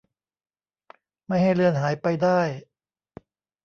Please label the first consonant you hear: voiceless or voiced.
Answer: voiced